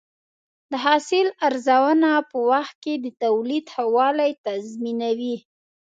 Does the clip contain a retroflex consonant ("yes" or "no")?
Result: no